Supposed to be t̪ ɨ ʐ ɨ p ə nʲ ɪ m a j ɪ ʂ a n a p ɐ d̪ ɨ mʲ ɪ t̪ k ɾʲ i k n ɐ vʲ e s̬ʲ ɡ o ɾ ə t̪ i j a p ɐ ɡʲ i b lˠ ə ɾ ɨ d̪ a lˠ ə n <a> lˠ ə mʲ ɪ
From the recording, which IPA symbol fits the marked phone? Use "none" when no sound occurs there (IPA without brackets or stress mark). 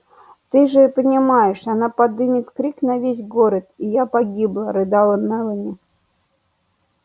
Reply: ɛ